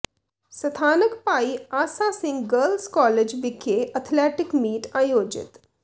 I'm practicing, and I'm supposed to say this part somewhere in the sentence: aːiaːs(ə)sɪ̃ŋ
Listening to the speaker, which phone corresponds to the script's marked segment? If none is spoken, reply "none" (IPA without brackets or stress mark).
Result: a